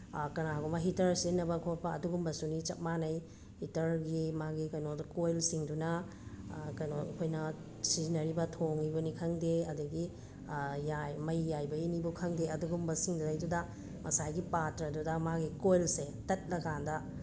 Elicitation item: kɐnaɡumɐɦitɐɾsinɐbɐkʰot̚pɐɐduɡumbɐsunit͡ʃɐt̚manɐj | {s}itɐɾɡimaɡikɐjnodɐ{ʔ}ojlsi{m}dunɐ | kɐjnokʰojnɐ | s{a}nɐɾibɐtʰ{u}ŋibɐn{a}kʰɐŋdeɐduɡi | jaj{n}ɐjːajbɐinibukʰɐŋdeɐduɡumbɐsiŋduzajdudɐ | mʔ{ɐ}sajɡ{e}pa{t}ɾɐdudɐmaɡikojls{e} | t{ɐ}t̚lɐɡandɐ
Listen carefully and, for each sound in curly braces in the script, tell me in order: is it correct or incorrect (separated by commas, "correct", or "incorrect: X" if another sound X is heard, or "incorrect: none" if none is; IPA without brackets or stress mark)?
incorrect: h, incorrect: k, incorrect: ŋ, incorrect: i, incorrect: o, incorrect: i, incorrect: m, correct, incorrect: i, correct, correct, correct